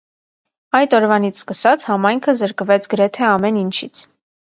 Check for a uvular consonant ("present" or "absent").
absent